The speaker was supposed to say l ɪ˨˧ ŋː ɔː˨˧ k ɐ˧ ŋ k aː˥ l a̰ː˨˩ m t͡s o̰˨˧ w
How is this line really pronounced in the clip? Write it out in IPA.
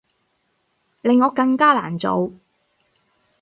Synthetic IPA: l ɪ˨˧ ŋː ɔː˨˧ k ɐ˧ ŋ k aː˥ l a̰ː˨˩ n t͡s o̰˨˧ w